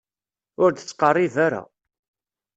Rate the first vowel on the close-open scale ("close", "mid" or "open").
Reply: close